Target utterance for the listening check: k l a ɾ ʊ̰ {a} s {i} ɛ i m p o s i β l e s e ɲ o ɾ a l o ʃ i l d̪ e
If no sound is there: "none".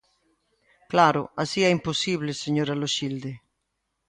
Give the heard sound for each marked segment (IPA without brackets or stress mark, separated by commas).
a, i